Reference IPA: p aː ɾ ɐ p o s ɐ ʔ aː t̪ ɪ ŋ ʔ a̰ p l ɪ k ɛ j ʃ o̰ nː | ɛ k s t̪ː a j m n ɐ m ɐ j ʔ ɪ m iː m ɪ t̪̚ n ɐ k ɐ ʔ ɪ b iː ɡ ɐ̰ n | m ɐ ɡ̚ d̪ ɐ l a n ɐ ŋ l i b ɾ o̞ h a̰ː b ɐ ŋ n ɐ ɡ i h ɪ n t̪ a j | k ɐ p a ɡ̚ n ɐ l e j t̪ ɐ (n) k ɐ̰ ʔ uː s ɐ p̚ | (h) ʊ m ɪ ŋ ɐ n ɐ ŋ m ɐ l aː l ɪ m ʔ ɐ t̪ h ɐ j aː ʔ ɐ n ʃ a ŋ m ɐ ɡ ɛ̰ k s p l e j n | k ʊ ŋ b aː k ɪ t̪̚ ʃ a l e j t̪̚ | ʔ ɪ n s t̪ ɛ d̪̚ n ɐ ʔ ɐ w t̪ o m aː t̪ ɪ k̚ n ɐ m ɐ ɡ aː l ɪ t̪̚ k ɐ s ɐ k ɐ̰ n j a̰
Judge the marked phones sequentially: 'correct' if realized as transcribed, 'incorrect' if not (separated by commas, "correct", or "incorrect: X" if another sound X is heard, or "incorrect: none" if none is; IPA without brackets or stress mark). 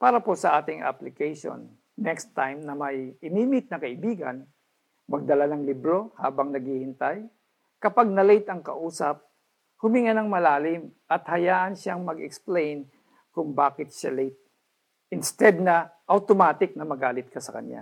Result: incorrect: ŋ, correct